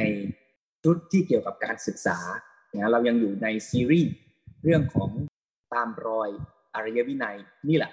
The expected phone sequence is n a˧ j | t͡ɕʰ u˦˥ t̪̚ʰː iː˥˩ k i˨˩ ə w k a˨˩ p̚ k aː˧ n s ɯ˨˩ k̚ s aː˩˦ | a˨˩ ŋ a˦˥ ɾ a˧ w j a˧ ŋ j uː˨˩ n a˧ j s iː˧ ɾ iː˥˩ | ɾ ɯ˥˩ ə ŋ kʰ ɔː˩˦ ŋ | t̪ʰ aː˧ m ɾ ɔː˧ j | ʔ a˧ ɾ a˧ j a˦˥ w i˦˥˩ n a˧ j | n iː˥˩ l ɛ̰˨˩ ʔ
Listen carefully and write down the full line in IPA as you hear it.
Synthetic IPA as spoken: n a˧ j | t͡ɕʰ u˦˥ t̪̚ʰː iː˥˩ k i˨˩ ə w k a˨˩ p̚ k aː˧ n s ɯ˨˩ k̚ s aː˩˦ | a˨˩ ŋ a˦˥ ɾ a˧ w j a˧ ŋ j uː˨˩ n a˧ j s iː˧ ɾ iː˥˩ | ɾ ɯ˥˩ ə ŋ kʰ ɔː˩˦ ŋ | t̪ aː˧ m ɾ ɔː˧ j | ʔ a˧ ɾ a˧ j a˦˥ w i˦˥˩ n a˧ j | n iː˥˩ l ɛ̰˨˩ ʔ